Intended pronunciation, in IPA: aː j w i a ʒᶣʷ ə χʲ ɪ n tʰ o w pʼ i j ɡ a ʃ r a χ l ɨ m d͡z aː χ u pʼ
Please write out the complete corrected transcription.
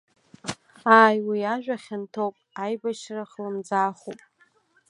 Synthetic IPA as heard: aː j w i a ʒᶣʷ a χʲ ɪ n tʰ o w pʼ a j b a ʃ r a χ l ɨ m d͡z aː χ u pʼ